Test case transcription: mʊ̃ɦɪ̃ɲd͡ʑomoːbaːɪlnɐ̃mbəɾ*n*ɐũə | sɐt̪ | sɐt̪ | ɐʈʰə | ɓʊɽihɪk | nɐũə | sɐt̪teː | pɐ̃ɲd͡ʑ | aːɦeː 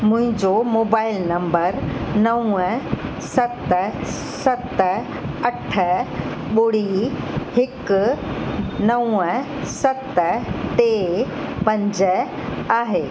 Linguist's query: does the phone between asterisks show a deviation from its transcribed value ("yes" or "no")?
no